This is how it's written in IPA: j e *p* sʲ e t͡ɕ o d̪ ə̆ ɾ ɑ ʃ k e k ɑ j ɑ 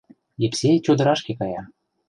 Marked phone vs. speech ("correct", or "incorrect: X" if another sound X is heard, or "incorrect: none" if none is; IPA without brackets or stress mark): correct